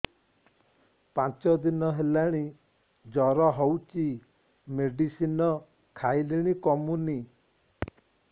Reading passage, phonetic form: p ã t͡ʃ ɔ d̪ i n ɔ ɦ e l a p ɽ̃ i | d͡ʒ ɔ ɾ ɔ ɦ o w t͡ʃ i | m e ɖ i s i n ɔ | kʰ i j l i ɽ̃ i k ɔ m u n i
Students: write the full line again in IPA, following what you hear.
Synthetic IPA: p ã t͡ʃ ɔ d̪ i n ɔ ɦ e l a ɽ̃ i | d͡ʒ ɔ ɾ ɔ ɦ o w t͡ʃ i | m e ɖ i s i n ɔ | kʰ a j l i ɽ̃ i k ɔ m u n i

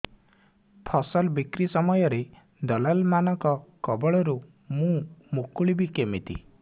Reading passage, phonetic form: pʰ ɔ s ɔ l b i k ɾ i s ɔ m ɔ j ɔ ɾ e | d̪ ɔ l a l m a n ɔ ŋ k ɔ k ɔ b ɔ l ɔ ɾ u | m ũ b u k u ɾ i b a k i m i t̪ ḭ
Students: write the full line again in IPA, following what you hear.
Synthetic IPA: pʰ ɔ s ɔ l b i k ɾ i s ɔ m ɔ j ɔ ɾ e | d̪ ɔ l a l m a n ɔ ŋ k ɔ k ɔ b ɔ ɭ ɔ ɾ u | m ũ m u k u ɭ i b i k e m i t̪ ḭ

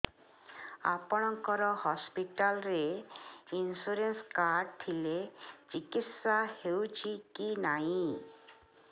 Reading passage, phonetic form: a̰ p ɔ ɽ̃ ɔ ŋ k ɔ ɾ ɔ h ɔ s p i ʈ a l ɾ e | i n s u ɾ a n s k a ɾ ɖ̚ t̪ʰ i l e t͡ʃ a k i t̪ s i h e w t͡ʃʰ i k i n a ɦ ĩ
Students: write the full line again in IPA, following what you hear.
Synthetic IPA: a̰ p ɔ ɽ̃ ɔ ŋ k ɔ ɾ ɔ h ɔ s p i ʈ a l ɾ e | i n s u ɾ e n s k a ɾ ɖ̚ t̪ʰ i l e t͡ʃ i k i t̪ s a h e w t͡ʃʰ i k i n a ɦ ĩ

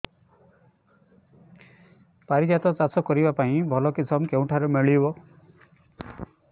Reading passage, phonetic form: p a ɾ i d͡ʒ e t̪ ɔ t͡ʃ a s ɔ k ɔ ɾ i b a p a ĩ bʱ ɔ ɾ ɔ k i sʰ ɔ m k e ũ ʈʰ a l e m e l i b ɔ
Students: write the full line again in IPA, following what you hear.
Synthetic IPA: p a ɾ i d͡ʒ a t̪ ɔ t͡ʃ a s ɔ k ɔ ɾ i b a p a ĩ bʱ ɔ l ɔ k i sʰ ɔ m k e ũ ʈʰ a ɾ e m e ɭ i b ɔ

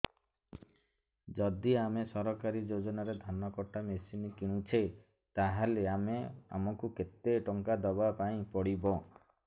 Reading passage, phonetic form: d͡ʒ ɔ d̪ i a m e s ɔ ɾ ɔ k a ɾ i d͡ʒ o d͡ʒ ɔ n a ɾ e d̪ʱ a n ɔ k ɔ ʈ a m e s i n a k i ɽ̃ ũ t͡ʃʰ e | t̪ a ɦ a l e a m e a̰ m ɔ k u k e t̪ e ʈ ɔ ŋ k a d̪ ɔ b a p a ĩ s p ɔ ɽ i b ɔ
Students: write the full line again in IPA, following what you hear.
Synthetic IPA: d͡ʒ ɔ d̪ i a m e s ɔ ɾ ɔ k a ɾ i d͡ʒ o d͡ʒ ɔ n a ɾ e d̪ʱ a n ɔ k ɔ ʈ a m e s i n i k i ɽ̃ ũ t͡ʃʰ e | t̪ a ɦ a l e a m e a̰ m ɔ k u k e t̪ e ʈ ɔ ŋ k a d̪ ɔ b a p a ĩ p ɔ ɽ i b ɔ

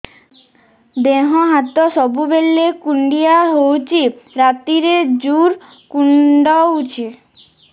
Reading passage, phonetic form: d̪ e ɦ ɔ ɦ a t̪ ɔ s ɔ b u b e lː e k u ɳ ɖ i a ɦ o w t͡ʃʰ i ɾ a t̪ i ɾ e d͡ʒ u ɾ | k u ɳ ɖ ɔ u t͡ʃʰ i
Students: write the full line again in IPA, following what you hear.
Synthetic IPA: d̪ e ɦ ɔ ɦ a t̪ ɔ s ɔ b u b e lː e k u ɳ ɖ i a ɦ o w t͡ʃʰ i ɾ a t̪ i ɾ e d͡ʒ u ɾ | k u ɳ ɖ ɔ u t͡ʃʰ i

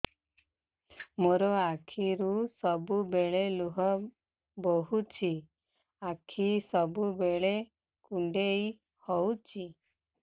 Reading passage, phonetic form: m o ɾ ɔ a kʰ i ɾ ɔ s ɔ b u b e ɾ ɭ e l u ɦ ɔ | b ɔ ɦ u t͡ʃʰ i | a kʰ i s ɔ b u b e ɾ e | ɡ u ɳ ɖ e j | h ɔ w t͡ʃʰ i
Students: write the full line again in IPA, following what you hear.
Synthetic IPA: m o ɾ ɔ a kʰ i ɾ u s ɔ b u b e ɭ e l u ɦ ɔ | b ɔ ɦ u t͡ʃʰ i | a kʰ i s ɔ b u b e ɭ e | k u ɳ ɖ e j | h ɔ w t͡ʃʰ i

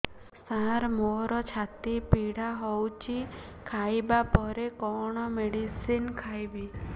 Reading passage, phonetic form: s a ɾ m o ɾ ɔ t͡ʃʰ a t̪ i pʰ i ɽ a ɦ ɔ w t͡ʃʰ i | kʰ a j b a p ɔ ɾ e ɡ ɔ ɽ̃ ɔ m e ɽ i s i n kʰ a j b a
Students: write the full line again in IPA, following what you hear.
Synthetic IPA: s a ɾ m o ɾ ɔ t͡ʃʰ a t̪ i p i ɽ a ɦ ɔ w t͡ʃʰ i | kʰ a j b a p ɔ ɾ e k ɔ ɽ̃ ɔ m e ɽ i s i n kʰ a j b i

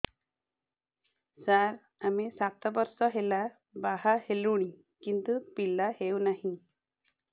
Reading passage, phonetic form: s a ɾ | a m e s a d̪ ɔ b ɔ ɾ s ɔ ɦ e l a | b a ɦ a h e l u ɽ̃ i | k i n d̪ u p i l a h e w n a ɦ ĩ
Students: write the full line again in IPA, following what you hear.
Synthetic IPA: s a ɾ | a m e s a t̪ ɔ b ɔ ɾ s ɔ ɦ e l a | b a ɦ a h e l u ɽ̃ i | k i n t̪ u p i l a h e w n a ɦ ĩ

